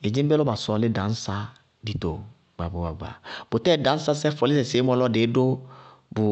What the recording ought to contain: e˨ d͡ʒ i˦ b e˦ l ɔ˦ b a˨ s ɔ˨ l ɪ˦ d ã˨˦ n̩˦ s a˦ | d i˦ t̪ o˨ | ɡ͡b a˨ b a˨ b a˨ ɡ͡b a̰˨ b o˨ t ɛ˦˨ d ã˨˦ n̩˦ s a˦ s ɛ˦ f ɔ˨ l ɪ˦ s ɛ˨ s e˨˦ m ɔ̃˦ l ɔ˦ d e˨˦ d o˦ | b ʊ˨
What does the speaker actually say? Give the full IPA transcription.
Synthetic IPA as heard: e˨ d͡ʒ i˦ b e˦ l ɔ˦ b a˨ s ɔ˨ l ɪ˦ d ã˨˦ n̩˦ s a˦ | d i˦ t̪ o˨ | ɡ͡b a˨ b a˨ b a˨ ɡ͡b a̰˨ b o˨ t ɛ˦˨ d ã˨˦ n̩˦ s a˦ s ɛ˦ f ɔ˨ l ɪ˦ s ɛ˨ s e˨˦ m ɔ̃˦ l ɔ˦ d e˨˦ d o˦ | b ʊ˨